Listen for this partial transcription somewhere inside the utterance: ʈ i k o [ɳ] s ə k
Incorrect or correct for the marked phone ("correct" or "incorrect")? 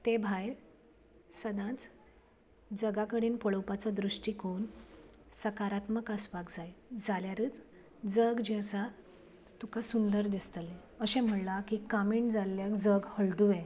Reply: incorrect